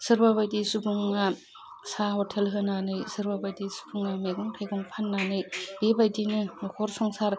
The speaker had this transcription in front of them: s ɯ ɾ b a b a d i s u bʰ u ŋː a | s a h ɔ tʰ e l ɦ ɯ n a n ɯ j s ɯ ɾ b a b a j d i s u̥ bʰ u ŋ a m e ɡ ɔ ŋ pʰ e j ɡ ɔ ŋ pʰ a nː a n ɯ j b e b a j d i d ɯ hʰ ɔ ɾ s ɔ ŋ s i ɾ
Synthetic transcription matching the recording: s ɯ ɾ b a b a d i s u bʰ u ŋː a | s a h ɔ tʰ e l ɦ ɯ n a n ɯ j s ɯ ɾ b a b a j d i s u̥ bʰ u ŋ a m e ɡ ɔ ŋ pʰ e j ɡ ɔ ŋ pʰ a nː a n ɯ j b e b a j d i n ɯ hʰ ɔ ɾ s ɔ ŋ s a ɾ